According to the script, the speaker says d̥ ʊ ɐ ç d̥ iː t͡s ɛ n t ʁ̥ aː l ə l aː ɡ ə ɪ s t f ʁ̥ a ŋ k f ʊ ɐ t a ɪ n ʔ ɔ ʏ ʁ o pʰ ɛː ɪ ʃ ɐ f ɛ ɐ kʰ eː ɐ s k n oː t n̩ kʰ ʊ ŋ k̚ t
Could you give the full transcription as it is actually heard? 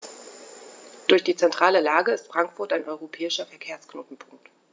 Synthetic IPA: d̥ ʊ ɐ ç d̥ iː t͡s ɛ n t ʁ̥ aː l ə l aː ɡ ə ɪ s t f ʁ̥ a ŋ k f ʊ ɐ t a ɪ n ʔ ɔ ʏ ʁ o pʰ ɛː ɪ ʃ ɐ f ɛ ɐ kʰ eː ɐ s k n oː t n̩ pʰ ʊ ŋ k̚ t